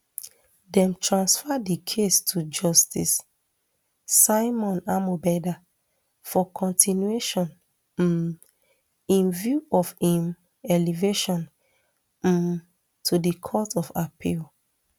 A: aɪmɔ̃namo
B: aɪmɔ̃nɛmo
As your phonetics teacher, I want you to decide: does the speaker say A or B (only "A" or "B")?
A